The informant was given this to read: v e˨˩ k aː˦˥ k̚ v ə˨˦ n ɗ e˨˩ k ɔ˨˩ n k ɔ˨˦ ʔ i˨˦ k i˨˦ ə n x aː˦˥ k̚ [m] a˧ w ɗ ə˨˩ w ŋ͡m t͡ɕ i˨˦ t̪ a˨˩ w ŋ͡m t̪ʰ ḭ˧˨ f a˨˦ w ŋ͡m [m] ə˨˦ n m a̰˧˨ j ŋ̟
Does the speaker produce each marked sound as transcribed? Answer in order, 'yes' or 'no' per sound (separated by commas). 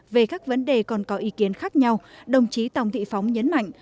no, no